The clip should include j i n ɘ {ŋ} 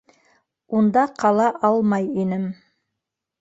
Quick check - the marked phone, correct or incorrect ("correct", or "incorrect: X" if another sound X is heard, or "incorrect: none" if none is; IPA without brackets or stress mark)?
incorrect: m